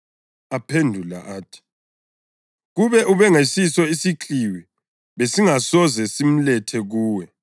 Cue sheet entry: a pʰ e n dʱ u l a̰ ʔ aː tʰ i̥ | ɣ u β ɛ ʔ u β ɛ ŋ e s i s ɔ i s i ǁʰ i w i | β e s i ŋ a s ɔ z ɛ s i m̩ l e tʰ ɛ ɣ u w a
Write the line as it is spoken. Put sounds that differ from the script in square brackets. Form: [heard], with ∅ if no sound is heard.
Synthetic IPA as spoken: a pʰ e n dʱ u l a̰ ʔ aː tʰ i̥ | ɣ u β ɛ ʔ u β ɛ ŋ e s i s ɔ i s i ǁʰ i w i | β e s i ŋ a s ɔ z ɛ s i m̩ l [ɛ] tʰ ɛ ɣ [uː] w [ɛ]